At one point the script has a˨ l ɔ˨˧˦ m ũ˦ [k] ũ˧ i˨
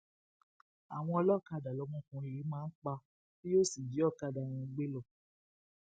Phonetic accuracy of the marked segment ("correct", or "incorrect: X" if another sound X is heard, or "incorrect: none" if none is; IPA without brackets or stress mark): correct